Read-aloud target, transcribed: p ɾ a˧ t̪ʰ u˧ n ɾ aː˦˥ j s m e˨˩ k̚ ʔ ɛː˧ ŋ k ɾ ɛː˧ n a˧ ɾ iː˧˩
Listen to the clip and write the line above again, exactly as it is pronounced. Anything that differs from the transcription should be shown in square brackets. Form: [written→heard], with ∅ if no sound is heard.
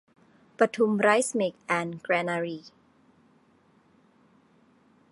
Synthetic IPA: p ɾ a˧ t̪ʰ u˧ [n→m] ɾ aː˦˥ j s m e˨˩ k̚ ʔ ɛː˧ [ŋ→n] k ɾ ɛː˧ n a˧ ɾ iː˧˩